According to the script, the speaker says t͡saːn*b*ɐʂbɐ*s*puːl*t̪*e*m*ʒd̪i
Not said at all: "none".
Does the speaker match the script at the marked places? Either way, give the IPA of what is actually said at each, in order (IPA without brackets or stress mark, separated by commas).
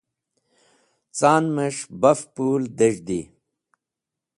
m, f, d̪, none